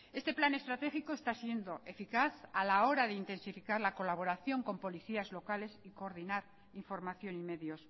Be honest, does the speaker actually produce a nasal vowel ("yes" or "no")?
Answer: no